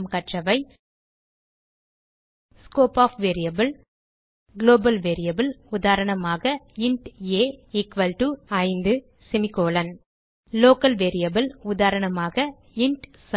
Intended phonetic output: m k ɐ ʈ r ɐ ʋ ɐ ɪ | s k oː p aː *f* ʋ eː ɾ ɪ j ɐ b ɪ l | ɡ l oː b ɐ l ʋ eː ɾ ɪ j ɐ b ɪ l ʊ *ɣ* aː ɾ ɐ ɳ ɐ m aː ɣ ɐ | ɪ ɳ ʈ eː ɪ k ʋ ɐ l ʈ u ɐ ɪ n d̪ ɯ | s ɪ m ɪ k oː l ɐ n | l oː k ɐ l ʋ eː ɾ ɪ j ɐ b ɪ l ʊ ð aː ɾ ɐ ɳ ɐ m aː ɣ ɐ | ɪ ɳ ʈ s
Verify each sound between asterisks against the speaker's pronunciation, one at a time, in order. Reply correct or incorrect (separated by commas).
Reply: correct, incorrect